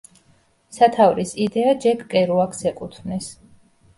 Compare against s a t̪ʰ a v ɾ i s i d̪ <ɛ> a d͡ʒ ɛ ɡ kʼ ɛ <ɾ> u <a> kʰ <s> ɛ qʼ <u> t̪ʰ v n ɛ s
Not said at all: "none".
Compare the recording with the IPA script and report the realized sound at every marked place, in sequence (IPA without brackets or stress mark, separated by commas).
ɛ, ɾ, a, s, u